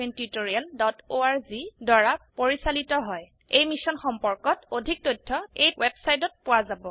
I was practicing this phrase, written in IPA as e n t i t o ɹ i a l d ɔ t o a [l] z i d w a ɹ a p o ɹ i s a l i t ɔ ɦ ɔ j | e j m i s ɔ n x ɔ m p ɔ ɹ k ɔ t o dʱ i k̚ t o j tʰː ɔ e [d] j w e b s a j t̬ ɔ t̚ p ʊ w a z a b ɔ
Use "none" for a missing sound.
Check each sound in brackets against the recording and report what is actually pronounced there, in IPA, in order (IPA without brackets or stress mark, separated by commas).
ɹ, none